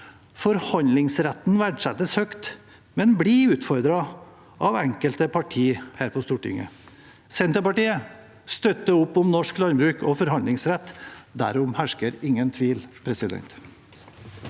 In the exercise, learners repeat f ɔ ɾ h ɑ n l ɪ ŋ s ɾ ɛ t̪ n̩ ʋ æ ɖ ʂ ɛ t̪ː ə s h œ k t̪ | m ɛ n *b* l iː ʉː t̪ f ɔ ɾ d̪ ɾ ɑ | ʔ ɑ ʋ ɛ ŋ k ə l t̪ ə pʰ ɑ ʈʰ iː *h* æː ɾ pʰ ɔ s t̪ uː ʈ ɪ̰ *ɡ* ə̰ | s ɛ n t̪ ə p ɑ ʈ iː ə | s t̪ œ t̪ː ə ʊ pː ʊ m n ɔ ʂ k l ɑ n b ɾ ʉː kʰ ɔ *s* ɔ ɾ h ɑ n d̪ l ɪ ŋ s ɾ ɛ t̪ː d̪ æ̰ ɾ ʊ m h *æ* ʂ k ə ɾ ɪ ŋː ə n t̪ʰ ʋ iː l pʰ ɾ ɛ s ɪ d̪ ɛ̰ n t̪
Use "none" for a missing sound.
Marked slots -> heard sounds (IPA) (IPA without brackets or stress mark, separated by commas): b, h, ŋ, f, æ